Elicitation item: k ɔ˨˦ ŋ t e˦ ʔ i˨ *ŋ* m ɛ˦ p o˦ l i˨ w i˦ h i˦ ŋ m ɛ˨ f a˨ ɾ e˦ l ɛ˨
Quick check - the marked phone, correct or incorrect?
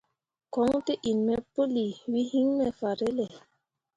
incorrect